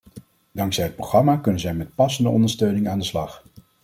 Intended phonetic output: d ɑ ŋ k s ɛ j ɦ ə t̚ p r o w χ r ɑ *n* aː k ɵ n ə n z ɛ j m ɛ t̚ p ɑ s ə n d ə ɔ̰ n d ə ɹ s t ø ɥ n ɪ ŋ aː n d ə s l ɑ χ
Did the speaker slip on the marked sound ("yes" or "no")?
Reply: yes